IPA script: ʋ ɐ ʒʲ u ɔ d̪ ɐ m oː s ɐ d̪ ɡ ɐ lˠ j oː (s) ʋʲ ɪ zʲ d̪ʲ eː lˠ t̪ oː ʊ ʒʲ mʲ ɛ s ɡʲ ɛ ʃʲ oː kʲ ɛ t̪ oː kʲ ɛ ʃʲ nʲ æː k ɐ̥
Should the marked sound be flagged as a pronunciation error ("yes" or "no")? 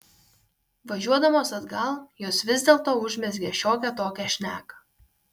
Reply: no